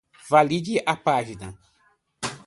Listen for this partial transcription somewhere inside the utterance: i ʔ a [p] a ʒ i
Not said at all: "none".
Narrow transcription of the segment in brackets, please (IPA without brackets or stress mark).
p